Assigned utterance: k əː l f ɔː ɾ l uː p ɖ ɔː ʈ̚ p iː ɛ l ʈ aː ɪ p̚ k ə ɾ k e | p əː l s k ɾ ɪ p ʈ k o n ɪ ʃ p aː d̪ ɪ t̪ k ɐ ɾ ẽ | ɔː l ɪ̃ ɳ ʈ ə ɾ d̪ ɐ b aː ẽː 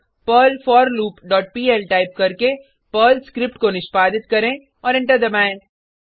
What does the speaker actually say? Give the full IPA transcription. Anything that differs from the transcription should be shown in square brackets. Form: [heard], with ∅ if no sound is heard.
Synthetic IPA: [p] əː l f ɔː ɾ l uː p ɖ ɔː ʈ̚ p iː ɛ l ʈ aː ɪ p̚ k [ɐ] ɾ k e | p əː l s k ɾ ɪ p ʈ k o n ɪ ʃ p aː d̪ ɪ t̪ k ɐ ɾ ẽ | ɔː [ɾ] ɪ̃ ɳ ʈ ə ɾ d̪ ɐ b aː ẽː